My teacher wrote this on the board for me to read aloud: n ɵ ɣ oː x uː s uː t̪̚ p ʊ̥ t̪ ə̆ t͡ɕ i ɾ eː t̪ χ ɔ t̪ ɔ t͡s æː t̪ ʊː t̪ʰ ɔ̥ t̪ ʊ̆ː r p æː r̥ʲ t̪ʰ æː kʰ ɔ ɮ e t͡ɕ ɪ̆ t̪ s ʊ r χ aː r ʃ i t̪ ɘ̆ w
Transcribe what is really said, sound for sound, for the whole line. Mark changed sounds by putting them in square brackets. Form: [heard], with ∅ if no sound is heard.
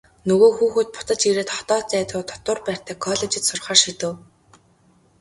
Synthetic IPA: n ɵ ɣ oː x uː [x] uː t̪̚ p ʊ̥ t̪ ə̆ t͡ɕ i ɾ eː t̪ χ ɔ t̪ [ɔː] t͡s æː t̪ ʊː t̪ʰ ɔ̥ t̪ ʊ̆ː r p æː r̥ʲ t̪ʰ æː kʰ ɔ ɮ e t͡ɕ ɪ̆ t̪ s ʊ r χ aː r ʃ i t̪ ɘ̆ w